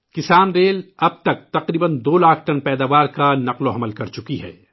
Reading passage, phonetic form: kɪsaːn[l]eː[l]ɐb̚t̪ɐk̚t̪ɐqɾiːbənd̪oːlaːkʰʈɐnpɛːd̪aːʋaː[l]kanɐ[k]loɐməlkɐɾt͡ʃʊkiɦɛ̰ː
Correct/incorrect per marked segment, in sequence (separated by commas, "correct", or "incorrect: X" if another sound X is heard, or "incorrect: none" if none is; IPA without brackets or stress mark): incorrect: ɾ, correct, incorrect: ɾ, incorrect: q